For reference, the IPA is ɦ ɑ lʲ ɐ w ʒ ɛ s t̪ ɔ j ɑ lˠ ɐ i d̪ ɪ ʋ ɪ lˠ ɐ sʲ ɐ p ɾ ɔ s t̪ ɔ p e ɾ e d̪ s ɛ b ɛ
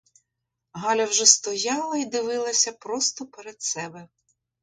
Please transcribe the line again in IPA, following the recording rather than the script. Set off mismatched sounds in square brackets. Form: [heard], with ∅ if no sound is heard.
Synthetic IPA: ɦ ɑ lʲ ɐ w ʒ ɛ s t̪ ɔ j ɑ lˠ ɐ i d̪ ɪ ʋ ɪ lˠ ɐ sʲ ɐ p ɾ ɔ s t̪ ɔ p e ɾ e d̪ s ɛ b ɛ

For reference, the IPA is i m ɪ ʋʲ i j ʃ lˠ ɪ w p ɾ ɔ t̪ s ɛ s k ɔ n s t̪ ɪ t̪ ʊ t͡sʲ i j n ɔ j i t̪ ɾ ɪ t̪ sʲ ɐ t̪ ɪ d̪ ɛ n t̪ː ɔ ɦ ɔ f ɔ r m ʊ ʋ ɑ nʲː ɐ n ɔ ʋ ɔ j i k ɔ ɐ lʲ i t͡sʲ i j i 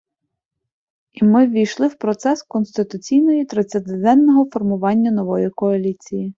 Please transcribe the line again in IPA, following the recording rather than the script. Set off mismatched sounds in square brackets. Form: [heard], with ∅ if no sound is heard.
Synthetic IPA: i m ɪ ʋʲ i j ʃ lˠ ɪ w p ɾ ɔ t̪ s ɛ s k ɔ n s t̪ ɪ t̪ ʊ t͡sʲ i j n ɔ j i t̪ ɾ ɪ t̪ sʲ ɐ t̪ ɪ d̪ ɛ n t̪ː ɔ ɦ ɔ f ɔ r m ʊ ʋ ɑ nʲː ɐ n ɔ ʋ ɔ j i k ɔ ɐ lʲ i t͡sʲ i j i

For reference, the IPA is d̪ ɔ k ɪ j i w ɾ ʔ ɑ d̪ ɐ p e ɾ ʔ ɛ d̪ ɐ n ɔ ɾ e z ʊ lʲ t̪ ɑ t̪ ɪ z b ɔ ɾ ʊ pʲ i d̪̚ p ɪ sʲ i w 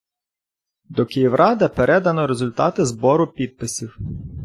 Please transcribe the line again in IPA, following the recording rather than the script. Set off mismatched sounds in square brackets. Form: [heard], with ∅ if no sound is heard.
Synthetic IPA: d̪ ɔ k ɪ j i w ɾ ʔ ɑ d̪ ɐ p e ɾ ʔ ɛ d̪ ɐ n ɔ ɾ e z ʊ lʲ t̪ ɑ t̪ ɪ z b ɔ ɾ ʊ pʲ i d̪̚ p ɪ sʲ i w

